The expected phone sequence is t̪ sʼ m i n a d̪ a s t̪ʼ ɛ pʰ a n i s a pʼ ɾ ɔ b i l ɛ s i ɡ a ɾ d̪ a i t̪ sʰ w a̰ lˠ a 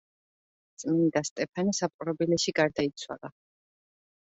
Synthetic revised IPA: t̪ sʼ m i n i d̪ a s t̪ʼ ɛ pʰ a n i s a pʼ ɾ ɔ b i l ɛ ʃ i ɡ a ɾ d̪ a i t̪ sʰ w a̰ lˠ a

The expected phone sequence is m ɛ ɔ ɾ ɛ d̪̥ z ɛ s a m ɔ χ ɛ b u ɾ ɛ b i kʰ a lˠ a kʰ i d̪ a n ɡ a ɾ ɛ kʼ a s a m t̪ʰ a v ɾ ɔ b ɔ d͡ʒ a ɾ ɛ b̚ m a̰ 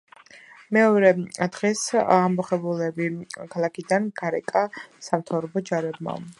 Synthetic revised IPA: m ɛ ɔ ɾ ɛ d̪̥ ʁ ɛ s a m ɔ χ ɛ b u l ɛ b i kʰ a lˠ a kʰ i d̪ a n ɡ a ɾ ɛ kʼ a s a m t̪ʰ a v ɾ ɔ b ɔ d͡ʒ a ɾ ɛ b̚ m a̰

